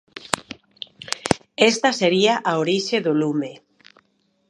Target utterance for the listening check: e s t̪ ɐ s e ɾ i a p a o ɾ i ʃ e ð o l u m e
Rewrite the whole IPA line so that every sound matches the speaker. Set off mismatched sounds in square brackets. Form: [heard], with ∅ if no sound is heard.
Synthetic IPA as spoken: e s t̪ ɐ s e ɾ i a [ʔ] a o ɾ i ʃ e ð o l u m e